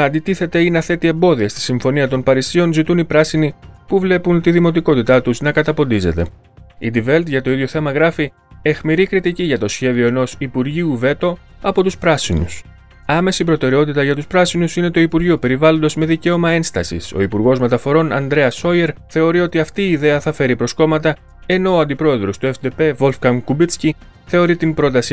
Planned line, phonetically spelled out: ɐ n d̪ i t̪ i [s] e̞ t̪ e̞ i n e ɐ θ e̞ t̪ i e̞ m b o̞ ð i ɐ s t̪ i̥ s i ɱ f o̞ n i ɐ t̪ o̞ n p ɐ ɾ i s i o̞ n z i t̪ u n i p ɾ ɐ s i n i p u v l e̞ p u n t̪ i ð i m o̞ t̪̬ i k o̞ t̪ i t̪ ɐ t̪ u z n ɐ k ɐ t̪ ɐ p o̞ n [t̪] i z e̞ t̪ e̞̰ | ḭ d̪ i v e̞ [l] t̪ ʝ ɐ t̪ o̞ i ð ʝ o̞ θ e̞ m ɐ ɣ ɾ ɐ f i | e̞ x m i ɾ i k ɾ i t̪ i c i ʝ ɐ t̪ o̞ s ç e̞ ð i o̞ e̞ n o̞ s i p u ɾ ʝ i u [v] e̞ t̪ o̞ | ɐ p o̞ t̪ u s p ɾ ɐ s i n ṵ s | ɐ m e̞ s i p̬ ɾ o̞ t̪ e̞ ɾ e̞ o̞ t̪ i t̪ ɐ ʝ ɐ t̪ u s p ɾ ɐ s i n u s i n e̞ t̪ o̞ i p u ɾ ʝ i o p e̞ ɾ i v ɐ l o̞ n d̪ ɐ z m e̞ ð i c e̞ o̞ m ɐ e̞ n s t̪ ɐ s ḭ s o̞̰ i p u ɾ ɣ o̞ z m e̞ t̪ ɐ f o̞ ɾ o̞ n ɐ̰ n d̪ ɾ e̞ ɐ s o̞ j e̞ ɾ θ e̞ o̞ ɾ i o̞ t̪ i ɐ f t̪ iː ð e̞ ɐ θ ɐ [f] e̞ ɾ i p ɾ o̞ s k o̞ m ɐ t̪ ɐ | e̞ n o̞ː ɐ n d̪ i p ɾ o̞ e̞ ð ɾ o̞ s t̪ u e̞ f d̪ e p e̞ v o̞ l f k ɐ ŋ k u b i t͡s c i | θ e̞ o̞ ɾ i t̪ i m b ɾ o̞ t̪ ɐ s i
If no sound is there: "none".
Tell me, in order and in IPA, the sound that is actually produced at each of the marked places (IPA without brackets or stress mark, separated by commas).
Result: θ, d̪, l, v, f